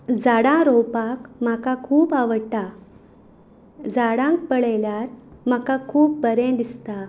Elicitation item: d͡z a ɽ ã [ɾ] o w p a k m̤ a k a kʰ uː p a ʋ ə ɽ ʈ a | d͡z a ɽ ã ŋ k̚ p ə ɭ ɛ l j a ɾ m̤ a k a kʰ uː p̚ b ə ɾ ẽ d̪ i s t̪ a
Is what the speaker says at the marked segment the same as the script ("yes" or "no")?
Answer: yes